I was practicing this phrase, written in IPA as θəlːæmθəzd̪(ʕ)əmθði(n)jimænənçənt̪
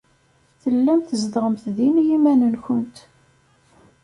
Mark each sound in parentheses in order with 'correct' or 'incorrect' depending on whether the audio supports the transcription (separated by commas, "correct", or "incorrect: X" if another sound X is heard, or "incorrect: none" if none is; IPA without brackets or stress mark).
incorrect: ʁ, correct